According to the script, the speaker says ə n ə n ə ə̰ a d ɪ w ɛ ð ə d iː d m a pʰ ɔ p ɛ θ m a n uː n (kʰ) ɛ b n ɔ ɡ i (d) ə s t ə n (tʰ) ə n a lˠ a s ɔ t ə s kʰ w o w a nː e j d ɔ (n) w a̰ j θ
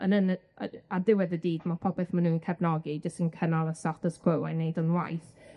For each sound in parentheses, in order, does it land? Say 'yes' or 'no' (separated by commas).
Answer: yes, no, no, yes